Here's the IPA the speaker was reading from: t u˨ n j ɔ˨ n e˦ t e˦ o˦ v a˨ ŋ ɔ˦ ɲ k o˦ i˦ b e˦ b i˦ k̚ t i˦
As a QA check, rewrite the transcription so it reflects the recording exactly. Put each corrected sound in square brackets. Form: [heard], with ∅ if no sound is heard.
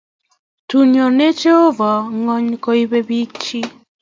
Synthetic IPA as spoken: t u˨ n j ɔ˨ n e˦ [t͡ʃ] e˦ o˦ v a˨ ŋ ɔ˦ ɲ k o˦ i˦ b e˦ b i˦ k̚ [t͡ʃ] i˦